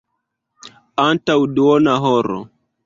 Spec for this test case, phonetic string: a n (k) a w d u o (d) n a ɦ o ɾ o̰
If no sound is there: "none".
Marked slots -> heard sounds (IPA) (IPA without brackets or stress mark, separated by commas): t, none